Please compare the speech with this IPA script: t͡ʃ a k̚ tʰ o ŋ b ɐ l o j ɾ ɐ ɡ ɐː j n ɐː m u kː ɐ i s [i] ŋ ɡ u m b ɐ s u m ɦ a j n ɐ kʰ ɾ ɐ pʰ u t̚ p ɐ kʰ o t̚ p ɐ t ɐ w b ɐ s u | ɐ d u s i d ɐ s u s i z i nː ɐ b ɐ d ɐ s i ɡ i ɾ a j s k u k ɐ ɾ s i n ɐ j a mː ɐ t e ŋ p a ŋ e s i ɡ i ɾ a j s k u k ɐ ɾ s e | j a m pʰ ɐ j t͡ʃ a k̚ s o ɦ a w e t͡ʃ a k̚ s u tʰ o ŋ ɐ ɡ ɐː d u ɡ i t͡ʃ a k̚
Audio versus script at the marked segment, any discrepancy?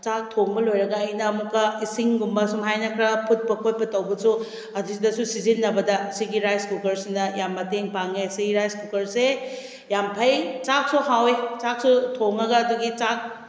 no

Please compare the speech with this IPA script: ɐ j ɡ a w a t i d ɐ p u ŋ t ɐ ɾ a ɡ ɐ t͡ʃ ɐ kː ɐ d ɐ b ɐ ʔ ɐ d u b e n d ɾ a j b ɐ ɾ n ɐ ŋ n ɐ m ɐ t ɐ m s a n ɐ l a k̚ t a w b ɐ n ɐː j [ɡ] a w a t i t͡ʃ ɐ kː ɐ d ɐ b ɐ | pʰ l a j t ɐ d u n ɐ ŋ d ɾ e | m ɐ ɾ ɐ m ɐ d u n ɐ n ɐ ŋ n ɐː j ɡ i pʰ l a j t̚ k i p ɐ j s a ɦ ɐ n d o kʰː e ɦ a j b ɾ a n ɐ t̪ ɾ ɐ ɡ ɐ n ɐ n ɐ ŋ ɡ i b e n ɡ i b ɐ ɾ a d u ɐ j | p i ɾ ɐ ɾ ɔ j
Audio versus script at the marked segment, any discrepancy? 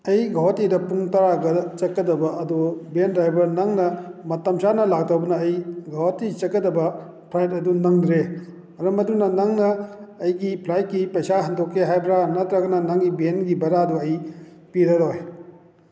no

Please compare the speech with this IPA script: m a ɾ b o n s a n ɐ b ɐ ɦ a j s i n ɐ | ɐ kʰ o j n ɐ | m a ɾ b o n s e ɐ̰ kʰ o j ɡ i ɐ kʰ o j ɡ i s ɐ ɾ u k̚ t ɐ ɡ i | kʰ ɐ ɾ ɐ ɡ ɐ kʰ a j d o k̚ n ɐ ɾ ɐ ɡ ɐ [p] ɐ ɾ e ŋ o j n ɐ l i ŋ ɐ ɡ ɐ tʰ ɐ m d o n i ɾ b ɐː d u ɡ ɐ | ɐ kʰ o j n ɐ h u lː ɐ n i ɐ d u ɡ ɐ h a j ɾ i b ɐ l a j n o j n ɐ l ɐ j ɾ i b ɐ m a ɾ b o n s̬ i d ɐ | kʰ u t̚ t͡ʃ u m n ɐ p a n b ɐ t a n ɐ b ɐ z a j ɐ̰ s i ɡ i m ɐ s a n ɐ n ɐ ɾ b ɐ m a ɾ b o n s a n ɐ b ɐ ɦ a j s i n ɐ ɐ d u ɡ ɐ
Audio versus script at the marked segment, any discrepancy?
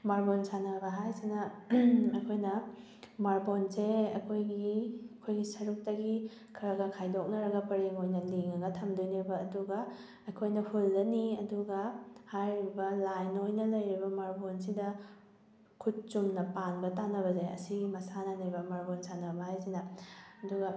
no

